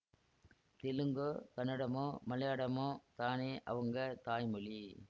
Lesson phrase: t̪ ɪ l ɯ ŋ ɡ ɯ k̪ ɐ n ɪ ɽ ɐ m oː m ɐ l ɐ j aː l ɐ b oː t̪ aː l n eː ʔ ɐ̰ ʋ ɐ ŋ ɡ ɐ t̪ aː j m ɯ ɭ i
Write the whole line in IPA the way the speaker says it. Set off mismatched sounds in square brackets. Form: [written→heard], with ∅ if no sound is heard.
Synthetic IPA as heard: t̪ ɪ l ɯ ŋ ɡ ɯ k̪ ɐ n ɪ ɽ ɐ m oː m ɐ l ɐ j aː [l→ɽ] ɐ [b→m] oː t̪ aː [l→∅] n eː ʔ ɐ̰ ʋ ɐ ŋ ɡ ɐ t̪ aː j m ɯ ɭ i